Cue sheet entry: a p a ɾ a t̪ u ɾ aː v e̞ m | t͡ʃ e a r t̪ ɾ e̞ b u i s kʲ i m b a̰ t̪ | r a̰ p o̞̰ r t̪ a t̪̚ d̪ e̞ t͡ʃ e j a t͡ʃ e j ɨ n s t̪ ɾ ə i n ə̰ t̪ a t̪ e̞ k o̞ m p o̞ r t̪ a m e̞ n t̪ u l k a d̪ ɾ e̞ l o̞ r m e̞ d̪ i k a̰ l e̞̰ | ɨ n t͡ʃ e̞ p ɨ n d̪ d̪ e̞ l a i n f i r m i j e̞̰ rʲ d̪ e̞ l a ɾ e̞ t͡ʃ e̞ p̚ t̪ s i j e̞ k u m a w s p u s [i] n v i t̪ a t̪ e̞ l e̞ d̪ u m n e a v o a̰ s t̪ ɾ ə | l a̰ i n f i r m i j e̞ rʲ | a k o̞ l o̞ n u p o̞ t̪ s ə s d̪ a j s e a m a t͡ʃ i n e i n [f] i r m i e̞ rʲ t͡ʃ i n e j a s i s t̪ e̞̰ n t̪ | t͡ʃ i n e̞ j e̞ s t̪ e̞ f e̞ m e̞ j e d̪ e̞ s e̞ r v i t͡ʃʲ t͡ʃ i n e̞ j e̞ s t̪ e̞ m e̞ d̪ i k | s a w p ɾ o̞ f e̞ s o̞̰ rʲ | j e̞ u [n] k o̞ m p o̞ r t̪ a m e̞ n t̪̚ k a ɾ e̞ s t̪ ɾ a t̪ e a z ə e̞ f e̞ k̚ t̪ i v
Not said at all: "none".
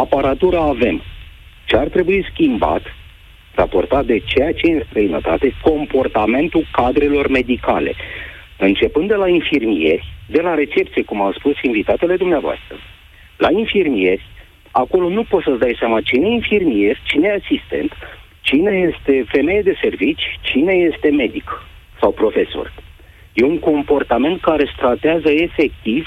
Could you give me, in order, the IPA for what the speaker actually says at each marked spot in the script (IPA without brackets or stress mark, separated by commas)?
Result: i, f, ŋ